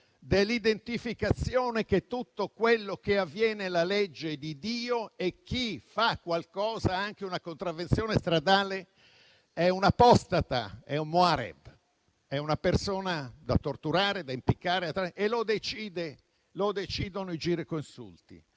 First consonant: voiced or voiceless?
voiced